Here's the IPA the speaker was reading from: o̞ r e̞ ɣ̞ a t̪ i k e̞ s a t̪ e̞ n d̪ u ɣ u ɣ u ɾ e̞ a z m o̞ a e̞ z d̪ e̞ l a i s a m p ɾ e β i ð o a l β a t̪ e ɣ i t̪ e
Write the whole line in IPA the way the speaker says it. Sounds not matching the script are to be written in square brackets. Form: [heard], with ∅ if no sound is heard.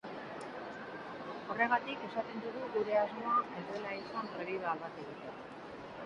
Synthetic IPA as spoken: o̞ r e̞ ɣ̞ a t̪ i k e̞ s a t̪ e̞ n d̪ u ɣ u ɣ u ɾ e̞ a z m o̞ a e̞ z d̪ e̞ l a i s a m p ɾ e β i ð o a l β a t̪ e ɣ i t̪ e